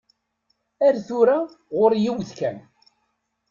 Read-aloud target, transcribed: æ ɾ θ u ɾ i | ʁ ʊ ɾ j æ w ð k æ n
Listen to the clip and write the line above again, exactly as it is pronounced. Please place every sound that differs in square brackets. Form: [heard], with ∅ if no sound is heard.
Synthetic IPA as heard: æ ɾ θ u ɾ [a] | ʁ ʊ ɾ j [i] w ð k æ n